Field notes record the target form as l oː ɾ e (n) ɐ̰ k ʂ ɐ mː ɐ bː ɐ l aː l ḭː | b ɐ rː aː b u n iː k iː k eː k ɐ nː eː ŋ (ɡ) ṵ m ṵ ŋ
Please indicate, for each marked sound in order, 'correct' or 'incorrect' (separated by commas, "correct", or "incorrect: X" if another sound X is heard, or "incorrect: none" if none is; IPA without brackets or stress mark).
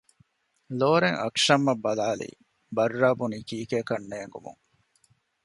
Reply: incorrect: ŋ, correct